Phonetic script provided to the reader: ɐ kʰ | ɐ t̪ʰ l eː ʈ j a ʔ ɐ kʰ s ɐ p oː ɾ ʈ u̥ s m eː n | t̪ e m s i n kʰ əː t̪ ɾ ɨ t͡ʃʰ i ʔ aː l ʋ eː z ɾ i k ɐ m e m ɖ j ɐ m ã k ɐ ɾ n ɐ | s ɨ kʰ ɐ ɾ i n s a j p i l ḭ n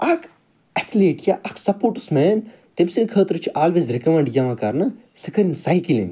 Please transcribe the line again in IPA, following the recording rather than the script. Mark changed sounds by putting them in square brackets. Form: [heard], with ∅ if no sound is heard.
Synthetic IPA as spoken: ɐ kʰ | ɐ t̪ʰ l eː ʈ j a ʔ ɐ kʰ s ɐ p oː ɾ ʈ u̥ s m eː n | t̪ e m s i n kʰ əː t̪ ɾ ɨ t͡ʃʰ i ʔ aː l ʋ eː z ɾ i k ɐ m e [ɳ] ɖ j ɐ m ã k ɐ ɾ n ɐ | s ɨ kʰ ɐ ɾ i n s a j [k] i l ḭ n